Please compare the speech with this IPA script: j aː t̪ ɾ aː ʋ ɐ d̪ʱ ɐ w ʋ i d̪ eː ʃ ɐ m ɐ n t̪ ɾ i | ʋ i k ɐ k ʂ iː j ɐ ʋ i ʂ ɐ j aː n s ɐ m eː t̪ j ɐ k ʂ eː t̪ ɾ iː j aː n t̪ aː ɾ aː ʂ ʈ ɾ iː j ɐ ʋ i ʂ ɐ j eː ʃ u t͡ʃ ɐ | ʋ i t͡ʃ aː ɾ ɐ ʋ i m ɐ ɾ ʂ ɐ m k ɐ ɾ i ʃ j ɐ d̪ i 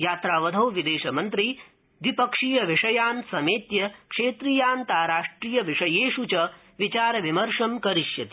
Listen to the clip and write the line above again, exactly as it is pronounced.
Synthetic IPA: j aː t̪ ɾ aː ʋ ɐ d̪ʱ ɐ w ʋ i d̪ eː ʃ ɐ m ɐ n t̪ ɾ i | ʋ i p ɐ k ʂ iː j ɐ ʋ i ʂ ɐ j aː n s ɐ m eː t̪ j ɐ k ʂ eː t̪ ɾ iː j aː n t̪ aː ɾ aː ʂ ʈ ɾ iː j ɐ ʋ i ʂ ɐ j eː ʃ u t͡ʃ ɐ | ʋ i t͡ʃ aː ɾ ɐ ʋ i m ɐ ɾ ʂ ɐ m k ɐ ɾ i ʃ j ɐ t̪ i

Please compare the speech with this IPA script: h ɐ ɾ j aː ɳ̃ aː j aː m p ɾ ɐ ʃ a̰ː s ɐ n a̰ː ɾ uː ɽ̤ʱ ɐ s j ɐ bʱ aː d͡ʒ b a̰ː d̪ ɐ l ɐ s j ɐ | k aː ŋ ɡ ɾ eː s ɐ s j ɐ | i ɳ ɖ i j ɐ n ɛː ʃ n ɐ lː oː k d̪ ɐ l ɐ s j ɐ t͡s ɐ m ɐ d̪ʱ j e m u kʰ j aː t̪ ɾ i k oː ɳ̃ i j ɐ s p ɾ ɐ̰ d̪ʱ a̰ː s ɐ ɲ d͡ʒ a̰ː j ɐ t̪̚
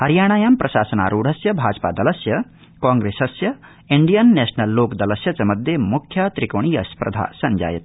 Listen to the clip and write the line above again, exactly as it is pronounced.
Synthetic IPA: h ɐ ɾ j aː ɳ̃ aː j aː m p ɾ ɐ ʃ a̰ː s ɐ n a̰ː ɾ uː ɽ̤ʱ ɐ s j ɐ bʱ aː d͡ʒ p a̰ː d̪ ɐ l ɐ s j ɐ | k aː ŋ ɡ ɾ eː s ɐ s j ɐ | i ɳ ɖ i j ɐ nː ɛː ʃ n ɐ lː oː k d̪ ɐ l ɐ s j ɐ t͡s ɐ m ɐ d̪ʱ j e m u kʰ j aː t̪ ɾ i k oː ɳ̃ i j ɐ s p ɾ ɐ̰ d̪ʱ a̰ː s ɐ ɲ d͡ʒ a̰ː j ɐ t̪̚

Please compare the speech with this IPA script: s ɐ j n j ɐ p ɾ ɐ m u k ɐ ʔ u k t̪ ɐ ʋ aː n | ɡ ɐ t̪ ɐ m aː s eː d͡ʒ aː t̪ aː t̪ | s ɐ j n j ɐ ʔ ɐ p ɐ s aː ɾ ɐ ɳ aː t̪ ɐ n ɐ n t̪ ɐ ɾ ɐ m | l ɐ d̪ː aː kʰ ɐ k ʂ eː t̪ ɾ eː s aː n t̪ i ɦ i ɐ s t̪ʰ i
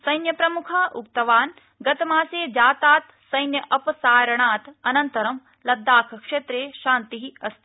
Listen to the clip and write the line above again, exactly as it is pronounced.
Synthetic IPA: s ɐ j n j ɐ p ɾ ɐ m u kʰ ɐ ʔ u k t̪ ɐ ʋ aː n | ɡ ɐ t̪ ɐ m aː s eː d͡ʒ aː t̪ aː t̪ | s ɐ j n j ɐ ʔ ɐ p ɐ s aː ɾ ɐ ɳ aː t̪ ɐ n ɐ n t̪ ɐ ɾ ɐ m | l ɐ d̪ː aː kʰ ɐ k ʂ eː t̪ ɾ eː ʃ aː n t̪ i ɦ i ɐ s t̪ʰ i

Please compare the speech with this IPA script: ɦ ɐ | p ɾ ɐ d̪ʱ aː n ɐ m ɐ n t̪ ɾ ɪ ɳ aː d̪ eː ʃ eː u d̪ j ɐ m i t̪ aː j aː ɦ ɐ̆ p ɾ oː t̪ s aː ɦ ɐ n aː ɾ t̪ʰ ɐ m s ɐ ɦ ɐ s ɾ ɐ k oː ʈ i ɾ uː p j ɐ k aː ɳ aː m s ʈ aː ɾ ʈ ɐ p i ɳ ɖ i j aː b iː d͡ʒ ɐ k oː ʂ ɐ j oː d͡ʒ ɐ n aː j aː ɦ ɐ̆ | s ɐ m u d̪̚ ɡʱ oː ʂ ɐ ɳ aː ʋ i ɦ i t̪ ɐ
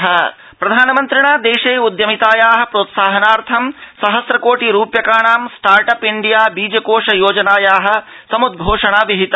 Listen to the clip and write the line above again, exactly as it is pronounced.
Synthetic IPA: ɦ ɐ | p ɾ ɐ d̪ʱ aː n ɐ m ɐ n t̪ ɾ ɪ ɳ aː d̪ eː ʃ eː u d̪ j ɐ m i t̪ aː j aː ɦ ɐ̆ p ɾ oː t̪ s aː ɦ ɐ n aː ɾ t̪ʰ ɐ m s ɐ ɦ ɐ s ɾ ɐ k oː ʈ i ɾ uː p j ɐ k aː ɳ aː m s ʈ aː ɾ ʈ ɐ p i ɳ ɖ i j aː b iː d͡ʒ ɐ k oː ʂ ɐ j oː d͡ʒ ɐ n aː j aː ɦ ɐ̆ | s ɐ m u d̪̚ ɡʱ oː ʂ ɐ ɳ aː ʋ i ɦ i t̪ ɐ

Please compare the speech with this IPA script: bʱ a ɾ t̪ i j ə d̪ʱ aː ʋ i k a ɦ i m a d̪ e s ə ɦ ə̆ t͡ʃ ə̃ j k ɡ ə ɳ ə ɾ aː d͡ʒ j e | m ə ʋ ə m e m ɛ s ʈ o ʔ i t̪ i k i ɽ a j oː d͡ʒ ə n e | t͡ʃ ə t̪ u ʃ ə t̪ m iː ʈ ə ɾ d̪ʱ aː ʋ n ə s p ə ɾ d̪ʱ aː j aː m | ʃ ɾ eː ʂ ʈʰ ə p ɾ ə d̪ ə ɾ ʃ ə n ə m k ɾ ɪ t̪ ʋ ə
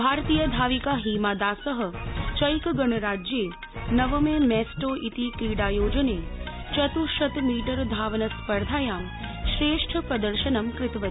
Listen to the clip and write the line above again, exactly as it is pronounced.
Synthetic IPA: bʱ a ɾ t̪ i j ə d̪ʱ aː ʋ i k a ɦ i m a d̪ a s ə ɦ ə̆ t͡ʃ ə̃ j k ɡ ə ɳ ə ɾ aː d͡ʒ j e | n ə ʋ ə m e m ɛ s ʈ o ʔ i t̪ i k i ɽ a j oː d͡ʒ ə n e | t͡ʃ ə t̪ u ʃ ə t̪ m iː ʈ ə ɾ d̪ʱ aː ʋ n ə s p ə ɾ d̪ʱ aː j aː m | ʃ ɾ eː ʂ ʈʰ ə p ɾ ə d̪ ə ɾ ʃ ə n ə m k ɾ ɪ t̪ ʋ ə

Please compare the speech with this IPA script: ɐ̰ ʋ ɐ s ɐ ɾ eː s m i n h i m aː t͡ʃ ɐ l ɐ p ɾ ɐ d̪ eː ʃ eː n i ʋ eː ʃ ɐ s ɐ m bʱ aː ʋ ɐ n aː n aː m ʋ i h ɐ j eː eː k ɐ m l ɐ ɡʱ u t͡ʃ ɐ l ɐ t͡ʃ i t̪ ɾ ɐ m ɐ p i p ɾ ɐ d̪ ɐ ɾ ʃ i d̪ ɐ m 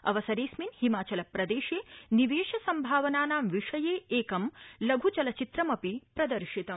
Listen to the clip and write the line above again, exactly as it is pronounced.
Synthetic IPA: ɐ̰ ʋ ɐ s ɐ ɾ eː s m i n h i m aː t͡ʃ ɐ l ɐ p ɾ ɐ d̪ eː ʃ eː n i ʋ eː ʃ ɐ s ɐ m bʱ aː ʋ ɐ n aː n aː m ʋ i ʂ ɐ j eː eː k ɐ m l ɐ ɡʱ u t͡ʃ ɐ l ɐ t͡ʃ i t̪ ɾ ɐ m ɐ p i p ɾ ɐ d̪ ɐ ɾ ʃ i t̪ ɐ m

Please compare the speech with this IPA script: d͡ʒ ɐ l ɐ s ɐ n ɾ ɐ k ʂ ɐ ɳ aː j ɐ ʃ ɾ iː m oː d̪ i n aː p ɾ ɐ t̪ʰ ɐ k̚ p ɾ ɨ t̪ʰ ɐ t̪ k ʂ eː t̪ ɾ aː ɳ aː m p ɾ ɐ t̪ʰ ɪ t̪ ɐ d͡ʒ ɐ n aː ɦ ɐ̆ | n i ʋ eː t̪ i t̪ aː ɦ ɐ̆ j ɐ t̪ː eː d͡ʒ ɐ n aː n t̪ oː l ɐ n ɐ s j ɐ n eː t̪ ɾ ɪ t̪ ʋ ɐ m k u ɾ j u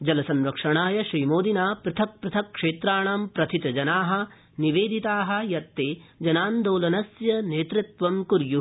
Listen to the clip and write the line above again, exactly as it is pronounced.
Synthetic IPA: d͡ʒ ɐ l ɐ s ɐ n ɾ ɐ k ʂ ɐ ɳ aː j ɐ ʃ ɾ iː m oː d̪ i n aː p ɾ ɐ t̪ʰ ɐ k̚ p ɾ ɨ t̪ʰ ɐ k ʂ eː t̪ ɾ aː ɳ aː m p ɾ ɐ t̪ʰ i t̪ ɐ d͡ʒ ɐ n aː ɦ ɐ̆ | n i ʋ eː d̪ i t̪ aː ɦ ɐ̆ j ɐ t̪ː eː d͡ʒ ɐ n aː n d̪ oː l ɐ n ɐ s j ɐ n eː t̪ ɾ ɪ t̪ ʋ ɐ m k u ɾ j u

